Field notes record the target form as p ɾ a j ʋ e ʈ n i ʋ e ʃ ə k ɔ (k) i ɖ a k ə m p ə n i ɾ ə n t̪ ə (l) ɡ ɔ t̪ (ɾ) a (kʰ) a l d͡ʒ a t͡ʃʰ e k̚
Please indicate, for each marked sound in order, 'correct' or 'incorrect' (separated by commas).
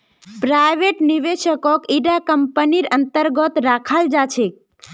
correct, incorrect, correct, correct